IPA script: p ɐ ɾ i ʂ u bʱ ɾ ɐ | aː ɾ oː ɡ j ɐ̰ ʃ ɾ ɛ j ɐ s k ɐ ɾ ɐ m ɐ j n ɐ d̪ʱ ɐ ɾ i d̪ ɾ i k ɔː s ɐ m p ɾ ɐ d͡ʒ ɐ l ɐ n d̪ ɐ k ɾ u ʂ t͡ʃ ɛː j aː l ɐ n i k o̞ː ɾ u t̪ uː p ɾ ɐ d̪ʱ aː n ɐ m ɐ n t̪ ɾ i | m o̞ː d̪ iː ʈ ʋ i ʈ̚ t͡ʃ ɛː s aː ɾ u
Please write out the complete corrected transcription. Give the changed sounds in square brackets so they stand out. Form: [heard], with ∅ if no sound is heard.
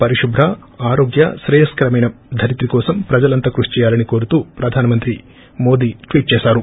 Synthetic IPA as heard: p ɐ ɾ i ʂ u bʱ ɾ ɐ | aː ɾ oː ɡ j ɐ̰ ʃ ɾ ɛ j ɐ s k ɐ ɾ ɐ m ɐ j n ɐ d̪ʱ ɐ ɾ i [t̪] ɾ i k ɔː s ɐ m p ɾ ɐ d͡ʒ ɐ l ɐ n [t̪] ɐ k ɾ u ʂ t͡ʃ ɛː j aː l ɐ n i k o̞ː ɾ u t̪ uː p ɾ ɐ d̪ʱ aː n ɐ m ɐ n t̪ ɾ i | m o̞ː d̪ iː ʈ ʋ [iː] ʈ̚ t͡ʃ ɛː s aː ɾ u